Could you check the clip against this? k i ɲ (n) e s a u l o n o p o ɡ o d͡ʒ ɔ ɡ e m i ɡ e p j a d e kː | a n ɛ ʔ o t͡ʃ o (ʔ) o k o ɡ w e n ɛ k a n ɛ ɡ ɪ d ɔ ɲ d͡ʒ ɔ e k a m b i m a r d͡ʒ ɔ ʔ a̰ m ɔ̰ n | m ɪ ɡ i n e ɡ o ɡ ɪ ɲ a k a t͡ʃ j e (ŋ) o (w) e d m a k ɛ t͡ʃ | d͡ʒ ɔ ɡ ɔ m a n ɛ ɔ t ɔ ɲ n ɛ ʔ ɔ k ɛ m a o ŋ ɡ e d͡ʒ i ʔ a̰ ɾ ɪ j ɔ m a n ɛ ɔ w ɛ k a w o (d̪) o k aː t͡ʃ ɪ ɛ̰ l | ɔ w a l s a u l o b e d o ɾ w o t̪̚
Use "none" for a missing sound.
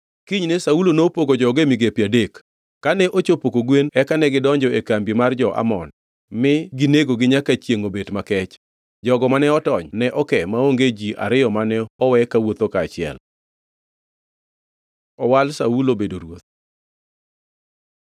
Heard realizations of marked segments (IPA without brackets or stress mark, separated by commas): n, p, ŋ, b, t̪